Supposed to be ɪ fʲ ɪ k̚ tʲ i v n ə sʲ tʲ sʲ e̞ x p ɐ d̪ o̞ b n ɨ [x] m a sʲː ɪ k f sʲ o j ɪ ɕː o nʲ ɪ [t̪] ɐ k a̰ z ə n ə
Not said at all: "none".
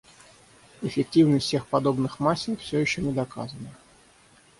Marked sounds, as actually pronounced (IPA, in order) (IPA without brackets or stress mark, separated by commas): x, d̪